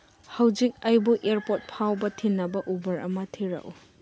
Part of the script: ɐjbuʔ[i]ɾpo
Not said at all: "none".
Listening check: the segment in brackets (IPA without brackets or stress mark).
e